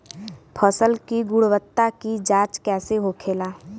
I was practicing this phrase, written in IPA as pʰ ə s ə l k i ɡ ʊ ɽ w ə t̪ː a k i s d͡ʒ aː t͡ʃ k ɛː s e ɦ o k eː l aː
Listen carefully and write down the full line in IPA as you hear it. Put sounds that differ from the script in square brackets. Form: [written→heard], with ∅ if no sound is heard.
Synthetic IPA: pʰ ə s ə l k i ɡ ʊ ɽ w ə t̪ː a k i [s→∅] d͡ʒ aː t͡ʃ k ɛː s e ɦ o [k→kʰ] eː l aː